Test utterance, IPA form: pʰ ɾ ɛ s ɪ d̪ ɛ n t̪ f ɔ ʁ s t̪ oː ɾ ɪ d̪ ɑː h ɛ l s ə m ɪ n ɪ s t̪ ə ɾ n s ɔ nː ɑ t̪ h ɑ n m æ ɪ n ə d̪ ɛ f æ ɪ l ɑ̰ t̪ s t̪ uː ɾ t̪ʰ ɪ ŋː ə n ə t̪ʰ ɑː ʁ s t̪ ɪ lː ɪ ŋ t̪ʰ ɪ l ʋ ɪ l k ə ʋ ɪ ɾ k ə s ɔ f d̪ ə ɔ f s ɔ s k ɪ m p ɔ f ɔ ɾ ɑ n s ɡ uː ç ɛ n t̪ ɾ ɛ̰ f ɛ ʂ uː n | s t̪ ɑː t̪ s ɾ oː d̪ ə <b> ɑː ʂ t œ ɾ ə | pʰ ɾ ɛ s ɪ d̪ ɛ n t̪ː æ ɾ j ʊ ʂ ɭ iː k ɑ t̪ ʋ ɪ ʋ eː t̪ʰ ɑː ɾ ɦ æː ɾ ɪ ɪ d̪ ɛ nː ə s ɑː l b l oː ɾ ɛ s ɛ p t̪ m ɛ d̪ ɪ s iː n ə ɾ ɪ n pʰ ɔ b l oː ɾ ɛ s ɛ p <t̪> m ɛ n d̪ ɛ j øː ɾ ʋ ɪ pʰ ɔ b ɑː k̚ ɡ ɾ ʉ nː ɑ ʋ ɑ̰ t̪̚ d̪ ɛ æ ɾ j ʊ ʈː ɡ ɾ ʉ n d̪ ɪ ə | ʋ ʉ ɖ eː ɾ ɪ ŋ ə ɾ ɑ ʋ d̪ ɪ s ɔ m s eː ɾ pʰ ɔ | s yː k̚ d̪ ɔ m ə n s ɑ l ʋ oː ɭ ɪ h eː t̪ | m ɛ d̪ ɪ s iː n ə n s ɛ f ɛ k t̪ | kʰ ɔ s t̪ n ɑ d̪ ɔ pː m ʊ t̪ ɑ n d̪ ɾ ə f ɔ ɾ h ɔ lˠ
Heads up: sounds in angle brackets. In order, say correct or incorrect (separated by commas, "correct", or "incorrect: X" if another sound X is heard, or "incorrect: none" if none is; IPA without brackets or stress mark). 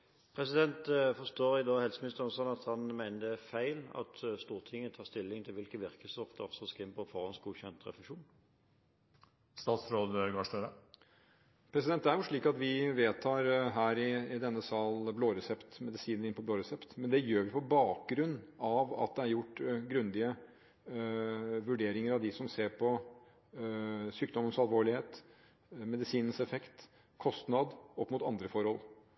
incorrect: ɡ, correct